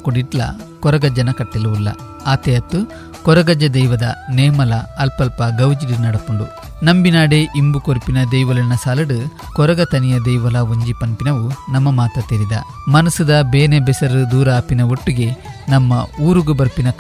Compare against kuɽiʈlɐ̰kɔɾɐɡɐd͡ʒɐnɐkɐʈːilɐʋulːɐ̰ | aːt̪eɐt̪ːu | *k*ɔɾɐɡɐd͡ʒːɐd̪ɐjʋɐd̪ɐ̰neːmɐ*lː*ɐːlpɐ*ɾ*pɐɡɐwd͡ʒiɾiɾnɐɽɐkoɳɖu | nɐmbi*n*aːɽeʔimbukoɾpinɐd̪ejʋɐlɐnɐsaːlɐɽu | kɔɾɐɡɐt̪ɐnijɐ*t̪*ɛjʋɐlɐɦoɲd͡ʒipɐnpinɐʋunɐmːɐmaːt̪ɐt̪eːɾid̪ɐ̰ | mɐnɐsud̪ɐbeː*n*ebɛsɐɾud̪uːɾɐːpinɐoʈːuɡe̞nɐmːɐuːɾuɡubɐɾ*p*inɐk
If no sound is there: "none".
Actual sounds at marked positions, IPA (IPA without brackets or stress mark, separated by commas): k, l, l, n, d̪, n, p